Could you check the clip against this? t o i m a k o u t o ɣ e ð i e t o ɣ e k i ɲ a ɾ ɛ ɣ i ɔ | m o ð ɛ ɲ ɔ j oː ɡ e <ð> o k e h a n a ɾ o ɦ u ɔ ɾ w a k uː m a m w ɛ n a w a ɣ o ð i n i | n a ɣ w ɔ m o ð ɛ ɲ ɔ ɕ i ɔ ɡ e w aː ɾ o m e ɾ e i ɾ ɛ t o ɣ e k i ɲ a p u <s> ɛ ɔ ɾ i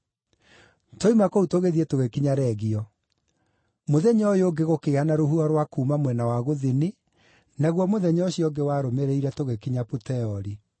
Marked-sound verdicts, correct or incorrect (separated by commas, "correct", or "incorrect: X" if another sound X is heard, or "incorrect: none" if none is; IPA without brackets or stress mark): incorrect: ɣ, incorrect: t